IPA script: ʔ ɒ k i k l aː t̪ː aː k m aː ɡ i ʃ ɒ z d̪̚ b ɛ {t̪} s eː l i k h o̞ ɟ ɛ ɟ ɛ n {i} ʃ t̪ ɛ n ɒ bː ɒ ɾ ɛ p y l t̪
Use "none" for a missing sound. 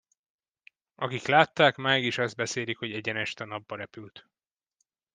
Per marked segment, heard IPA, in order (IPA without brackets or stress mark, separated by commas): none, ɛ